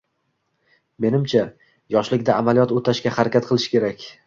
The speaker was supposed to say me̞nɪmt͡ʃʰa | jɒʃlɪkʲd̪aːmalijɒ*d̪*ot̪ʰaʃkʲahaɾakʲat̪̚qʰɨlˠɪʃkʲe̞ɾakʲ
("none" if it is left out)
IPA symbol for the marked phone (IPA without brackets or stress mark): t̪